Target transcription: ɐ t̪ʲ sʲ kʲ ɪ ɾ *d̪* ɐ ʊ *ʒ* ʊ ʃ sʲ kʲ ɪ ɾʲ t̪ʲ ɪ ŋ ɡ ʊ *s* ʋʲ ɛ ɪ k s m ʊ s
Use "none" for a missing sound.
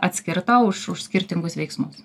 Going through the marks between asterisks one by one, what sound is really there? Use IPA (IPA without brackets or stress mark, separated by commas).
t̪, ʃ, s